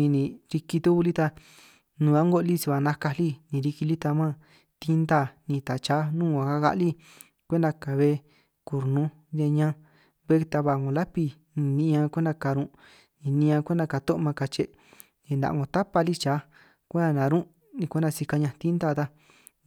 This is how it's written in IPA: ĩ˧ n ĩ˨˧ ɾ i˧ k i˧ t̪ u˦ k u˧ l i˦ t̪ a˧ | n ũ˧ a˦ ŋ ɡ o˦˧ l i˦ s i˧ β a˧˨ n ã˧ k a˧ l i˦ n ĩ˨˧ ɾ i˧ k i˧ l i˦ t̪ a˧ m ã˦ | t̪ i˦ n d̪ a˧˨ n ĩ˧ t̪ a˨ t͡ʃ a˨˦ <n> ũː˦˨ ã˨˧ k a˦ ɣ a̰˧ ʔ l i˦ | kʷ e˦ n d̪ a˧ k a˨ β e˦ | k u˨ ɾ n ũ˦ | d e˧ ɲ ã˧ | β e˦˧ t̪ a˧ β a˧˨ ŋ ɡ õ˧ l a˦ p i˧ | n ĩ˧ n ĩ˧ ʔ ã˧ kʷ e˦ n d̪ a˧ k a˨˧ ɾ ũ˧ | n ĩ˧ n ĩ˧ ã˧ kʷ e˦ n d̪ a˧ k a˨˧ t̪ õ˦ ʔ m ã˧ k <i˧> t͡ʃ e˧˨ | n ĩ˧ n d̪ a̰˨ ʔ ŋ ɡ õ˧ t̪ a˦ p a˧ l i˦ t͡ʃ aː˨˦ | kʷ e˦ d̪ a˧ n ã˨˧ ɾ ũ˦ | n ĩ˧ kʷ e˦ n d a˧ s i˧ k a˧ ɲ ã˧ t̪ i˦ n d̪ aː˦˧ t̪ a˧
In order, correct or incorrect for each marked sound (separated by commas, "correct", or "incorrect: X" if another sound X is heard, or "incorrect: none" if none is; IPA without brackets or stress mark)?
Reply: correct, incorrect: a˧